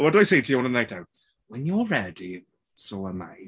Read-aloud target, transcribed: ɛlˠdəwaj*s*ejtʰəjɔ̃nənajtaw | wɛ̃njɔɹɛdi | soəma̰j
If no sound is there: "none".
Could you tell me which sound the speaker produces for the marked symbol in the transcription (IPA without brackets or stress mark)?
s